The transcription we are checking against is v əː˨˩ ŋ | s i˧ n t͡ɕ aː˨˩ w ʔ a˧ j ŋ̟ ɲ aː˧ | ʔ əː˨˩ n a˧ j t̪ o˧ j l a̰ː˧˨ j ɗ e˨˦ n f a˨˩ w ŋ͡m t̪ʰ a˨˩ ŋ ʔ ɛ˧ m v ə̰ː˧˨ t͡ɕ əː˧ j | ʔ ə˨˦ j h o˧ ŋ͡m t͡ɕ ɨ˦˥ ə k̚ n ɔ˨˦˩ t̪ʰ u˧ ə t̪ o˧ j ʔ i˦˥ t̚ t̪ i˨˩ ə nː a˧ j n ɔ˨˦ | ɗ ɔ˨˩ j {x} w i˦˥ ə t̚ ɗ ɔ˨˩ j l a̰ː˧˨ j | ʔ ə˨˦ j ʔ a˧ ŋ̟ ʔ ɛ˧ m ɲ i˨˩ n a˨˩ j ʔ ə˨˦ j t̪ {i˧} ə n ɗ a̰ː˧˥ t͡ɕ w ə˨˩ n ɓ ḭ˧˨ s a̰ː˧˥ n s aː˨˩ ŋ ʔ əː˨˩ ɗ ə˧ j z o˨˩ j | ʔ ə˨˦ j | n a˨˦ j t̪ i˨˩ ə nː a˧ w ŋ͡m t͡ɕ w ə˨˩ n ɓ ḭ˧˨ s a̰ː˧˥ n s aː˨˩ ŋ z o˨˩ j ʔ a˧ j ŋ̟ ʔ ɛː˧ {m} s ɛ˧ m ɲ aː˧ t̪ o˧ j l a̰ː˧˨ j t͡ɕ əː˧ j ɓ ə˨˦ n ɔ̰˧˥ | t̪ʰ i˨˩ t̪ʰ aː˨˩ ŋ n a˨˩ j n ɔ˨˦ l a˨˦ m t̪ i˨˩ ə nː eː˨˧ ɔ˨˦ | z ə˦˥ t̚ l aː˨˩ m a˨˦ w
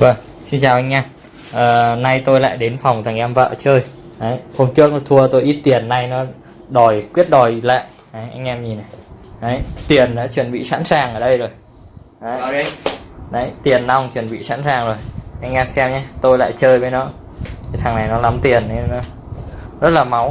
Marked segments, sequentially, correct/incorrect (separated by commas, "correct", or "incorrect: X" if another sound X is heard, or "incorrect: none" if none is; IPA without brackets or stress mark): incorrect: k, incorrect: i˨˩, correct